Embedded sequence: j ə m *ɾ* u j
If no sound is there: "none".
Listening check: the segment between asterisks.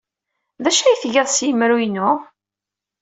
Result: ɾ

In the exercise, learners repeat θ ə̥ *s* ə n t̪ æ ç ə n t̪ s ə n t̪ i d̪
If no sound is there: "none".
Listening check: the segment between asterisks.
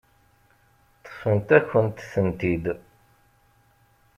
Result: f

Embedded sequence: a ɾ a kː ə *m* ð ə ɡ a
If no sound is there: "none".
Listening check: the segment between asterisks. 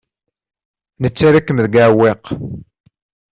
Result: m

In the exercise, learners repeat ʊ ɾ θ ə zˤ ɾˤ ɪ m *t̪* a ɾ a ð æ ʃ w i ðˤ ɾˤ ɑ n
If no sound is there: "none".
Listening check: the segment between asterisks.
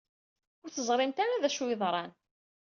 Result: t̪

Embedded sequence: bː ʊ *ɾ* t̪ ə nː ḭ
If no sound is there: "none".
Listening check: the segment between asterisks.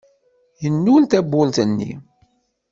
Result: l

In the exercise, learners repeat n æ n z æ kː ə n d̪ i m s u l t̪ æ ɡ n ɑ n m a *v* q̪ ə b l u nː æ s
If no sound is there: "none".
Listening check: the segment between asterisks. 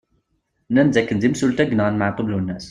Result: ʕ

